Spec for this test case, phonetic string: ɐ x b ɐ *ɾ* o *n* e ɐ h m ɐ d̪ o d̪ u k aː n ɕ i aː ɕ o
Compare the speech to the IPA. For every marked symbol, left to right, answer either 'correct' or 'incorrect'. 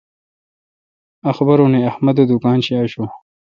correct, correct

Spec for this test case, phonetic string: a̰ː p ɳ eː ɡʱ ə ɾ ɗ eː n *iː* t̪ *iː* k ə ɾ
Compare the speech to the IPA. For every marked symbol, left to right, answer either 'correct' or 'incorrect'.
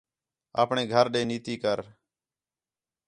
correct, correct

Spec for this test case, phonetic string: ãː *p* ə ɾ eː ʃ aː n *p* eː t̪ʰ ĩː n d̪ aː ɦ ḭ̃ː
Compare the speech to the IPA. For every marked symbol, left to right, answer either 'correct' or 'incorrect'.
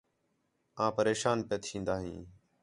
correct, correct

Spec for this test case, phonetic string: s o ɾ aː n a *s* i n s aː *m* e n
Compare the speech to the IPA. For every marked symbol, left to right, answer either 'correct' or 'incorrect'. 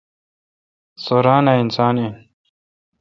incorrect, incorrect

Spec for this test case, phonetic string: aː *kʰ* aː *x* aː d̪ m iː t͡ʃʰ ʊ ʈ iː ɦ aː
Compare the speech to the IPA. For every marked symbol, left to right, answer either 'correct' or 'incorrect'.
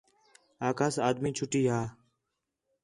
incorrect, incorrect

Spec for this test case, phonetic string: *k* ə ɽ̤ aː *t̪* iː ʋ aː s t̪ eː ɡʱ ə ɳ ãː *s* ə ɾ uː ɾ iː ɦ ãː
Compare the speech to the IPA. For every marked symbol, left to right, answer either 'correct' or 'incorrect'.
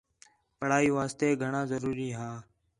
incorrect, incorrect, incorrect

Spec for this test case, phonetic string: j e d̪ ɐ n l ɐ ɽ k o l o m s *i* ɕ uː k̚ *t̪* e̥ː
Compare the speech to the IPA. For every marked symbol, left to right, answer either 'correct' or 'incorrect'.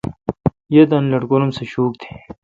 incorrect, incorrect

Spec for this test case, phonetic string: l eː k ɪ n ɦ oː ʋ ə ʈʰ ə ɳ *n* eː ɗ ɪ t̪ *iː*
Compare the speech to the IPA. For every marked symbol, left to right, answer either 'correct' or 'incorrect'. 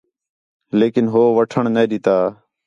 correct, incorrect

